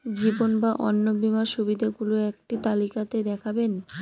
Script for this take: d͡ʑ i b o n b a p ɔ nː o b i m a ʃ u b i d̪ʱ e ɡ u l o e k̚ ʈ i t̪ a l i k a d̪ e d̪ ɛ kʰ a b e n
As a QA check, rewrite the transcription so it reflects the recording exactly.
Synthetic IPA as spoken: d͡ʑ i b o n b a ʔ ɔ nː o b i m a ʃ u b i d̪ʱ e ɡ u l o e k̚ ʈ i t̪ a l i k a t̪ e d̪ ɛ kʰ a b e n

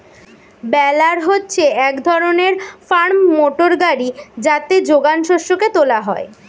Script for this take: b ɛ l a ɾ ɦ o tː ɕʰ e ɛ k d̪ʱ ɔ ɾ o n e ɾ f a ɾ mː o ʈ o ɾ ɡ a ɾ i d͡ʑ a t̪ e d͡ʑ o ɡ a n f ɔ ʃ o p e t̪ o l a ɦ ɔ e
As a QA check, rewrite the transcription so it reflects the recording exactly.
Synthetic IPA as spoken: b ɛ l a ɾ ɦ o tː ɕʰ e ɛ k d̪ʱ ɔ ɾ o n e ɾ f a ɾ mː o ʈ o ɾ ɡ a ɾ i d͡ʑ a t̪ e d͡ʑ o ɡ a n ʃ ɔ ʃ o k e t̪ o l a ɦ ɔ e

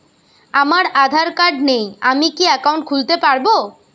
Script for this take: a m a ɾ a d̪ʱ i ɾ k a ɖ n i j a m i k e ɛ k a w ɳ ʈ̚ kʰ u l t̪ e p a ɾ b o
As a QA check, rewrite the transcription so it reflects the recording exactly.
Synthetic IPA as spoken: a m a ɾ a d̪ʱ a ɾ k a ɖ n e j a m i k i ɛ k a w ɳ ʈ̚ kʰ u l t̪ e p a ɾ b o

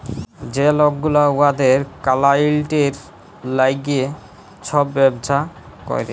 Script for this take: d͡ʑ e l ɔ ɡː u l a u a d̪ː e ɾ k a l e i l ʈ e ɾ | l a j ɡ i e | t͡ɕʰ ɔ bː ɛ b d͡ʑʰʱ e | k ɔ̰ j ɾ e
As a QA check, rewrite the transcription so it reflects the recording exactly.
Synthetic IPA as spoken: d͡ʑ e l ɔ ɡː u l a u a d̪ e ɾ k a l a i l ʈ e ɾ | l a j ɡ i e | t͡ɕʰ ɔ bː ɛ b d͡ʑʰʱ a | k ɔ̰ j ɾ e

